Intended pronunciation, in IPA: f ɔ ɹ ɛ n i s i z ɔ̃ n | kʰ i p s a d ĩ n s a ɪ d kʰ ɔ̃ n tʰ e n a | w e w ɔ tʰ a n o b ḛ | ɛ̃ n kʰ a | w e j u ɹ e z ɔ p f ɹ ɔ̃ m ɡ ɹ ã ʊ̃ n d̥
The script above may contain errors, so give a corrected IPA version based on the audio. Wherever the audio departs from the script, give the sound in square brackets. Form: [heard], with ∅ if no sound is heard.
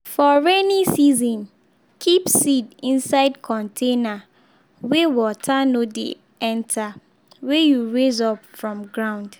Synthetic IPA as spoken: f ɔ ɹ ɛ n i s i z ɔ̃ n | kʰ i p s [i] d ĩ n s a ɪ d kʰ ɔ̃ n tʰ e n a | w e w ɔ tʰ a n o [d] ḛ | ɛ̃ n [tʰ] a | w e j u ɹ e z ɔ p f ɹ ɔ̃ m ɡ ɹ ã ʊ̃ n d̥